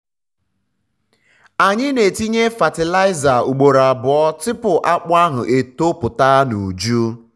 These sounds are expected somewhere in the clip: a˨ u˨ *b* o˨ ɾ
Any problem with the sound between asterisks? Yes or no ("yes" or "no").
yes